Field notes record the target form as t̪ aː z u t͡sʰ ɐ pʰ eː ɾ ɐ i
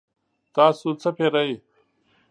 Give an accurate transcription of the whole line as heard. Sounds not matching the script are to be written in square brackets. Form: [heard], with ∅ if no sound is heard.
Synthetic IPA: t̪ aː [s] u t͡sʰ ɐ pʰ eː ɾ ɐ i